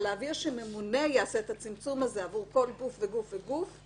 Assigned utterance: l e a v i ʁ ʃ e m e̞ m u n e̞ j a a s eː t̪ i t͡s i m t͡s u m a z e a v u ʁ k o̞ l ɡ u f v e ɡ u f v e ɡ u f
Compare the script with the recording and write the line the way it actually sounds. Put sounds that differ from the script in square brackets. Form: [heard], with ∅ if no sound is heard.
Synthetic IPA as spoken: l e a v i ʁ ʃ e m e̞ m u n e̞ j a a s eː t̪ [a] t͡s i m t͡s u m a z e a v u ʁ k o̞ l ɡ u f v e ɡ u f v e ɡ u f